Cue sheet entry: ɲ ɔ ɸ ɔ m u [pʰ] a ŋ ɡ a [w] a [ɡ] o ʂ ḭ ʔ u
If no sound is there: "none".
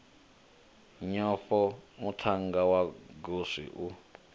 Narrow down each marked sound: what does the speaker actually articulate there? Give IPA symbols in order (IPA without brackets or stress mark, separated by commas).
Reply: tʰ, w, ɡ